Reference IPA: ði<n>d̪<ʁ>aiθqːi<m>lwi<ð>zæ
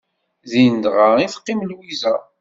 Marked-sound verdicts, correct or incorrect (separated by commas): correct, correct, correct, incorrect